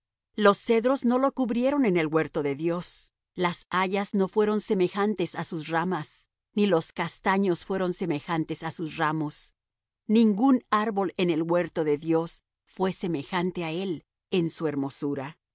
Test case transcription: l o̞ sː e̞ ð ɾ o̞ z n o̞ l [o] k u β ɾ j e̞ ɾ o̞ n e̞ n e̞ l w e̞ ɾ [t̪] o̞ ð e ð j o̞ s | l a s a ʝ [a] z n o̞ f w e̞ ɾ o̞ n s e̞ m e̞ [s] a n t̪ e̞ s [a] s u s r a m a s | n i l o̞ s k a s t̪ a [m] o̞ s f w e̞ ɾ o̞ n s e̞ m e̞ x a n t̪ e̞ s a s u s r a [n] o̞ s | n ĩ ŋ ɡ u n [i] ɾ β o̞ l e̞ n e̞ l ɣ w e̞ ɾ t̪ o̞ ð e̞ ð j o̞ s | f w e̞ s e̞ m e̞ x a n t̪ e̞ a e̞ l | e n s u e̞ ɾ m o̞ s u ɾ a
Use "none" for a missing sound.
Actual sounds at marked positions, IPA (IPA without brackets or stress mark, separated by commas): o, t̪, a, x, a, ɲ, m, a